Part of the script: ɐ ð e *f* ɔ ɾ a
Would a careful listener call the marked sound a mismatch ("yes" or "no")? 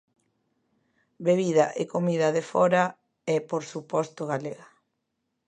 no